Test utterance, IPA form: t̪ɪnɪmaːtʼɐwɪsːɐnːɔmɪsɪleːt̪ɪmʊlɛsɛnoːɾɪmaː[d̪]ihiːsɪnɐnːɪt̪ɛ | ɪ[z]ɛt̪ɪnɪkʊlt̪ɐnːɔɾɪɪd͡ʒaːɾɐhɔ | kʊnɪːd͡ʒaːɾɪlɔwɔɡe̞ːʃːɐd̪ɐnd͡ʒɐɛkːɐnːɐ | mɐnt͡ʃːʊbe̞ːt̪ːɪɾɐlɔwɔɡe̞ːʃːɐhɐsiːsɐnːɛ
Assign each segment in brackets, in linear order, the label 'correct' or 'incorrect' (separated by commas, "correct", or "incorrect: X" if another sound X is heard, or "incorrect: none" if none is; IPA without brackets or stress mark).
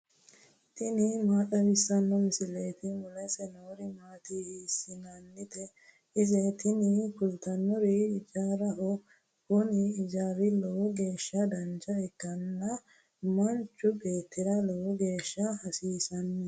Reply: incorrect: t̪, correct